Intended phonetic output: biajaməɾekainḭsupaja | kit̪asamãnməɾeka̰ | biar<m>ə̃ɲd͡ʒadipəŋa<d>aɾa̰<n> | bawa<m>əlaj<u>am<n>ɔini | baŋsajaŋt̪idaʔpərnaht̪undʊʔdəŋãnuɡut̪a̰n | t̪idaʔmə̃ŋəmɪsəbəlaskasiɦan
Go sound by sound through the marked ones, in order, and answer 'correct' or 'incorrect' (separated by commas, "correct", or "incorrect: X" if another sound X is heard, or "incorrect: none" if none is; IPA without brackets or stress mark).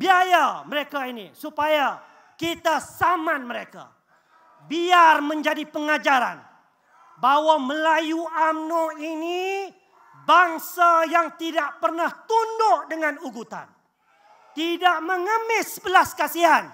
correct, incorrect: d͡ʒ, correct, correct, correct, correct